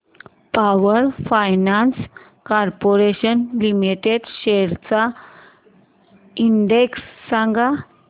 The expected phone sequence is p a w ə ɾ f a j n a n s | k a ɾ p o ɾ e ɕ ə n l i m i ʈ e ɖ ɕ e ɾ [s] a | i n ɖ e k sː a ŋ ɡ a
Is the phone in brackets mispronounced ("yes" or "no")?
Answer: yes